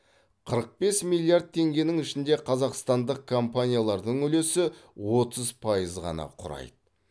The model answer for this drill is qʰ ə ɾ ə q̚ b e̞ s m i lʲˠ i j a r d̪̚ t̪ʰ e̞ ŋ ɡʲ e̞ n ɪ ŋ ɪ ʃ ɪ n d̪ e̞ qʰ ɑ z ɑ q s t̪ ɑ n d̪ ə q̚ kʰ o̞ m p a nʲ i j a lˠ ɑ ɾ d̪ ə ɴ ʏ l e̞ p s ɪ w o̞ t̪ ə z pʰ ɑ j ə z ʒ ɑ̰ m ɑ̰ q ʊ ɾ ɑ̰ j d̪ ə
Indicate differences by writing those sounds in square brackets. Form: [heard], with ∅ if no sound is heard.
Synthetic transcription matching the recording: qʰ ə ɾ ə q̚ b e̞ s m i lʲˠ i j a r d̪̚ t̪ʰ e̞ ŋ ɡʲ e̞ n ɪ ŋ ɪ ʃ ɪ n d̪ e̞ qʰ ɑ z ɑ q s t̪ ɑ n d̪ ə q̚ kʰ o̞ m p a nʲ i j a lˠ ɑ ɾ d̪ ə ɴ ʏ l e̞ [∅] s ɪ w o̞ t̪ ə z pʰ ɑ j ə z [ʁ] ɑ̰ [n] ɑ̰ [qʰ] ʊ ɾ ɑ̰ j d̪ ə